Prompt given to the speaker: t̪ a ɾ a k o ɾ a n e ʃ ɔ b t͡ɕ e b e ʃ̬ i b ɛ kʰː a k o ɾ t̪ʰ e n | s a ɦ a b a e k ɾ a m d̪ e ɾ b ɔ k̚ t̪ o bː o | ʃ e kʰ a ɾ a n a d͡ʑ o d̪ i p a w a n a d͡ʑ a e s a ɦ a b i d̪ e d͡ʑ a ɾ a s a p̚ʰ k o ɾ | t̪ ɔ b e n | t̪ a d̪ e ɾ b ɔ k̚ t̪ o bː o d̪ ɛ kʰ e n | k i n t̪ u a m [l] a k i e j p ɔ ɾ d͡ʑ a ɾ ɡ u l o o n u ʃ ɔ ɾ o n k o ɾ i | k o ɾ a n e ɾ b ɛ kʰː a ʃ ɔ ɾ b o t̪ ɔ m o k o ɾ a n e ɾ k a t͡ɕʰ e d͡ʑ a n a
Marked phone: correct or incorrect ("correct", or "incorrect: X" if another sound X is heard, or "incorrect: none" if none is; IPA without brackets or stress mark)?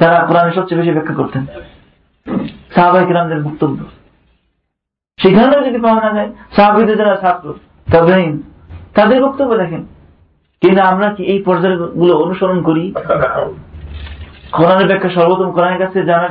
incorrect: ɾ